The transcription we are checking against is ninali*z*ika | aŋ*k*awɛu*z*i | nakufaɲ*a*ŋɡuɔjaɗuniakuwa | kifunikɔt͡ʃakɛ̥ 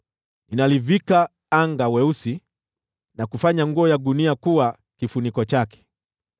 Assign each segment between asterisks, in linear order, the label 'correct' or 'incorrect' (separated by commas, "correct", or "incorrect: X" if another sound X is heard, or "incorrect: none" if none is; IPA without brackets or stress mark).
incorrect: v, incorrect: ɡ, incorrect: s, correct